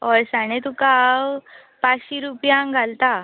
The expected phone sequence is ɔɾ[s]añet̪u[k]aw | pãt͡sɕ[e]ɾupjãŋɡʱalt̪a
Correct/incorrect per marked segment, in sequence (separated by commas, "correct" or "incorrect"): correct, correct, incorrect